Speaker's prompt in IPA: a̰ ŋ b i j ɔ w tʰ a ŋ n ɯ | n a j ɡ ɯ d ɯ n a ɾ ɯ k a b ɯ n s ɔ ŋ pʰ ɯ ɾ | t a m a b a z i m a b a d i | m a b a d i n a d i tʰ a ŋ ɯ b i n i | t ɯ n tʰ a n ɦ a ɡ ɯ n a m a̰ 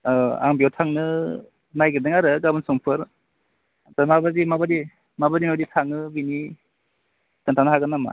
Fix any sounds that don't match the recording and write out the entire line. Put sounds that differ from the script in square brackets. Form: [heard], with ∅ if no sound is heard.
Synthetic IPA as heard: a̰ ŋ b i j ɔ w tʰ a ŋ n ɯ | n a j ɡ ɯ d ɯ [ŋ] a ɾ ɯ [ɡ] a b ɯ n s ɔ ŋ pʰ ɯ ɾ | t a m a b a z i m a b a d i | m a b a d i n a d i tʰ a ŋ ɯ b i n i | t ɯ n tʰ a n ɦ a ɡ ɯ n a m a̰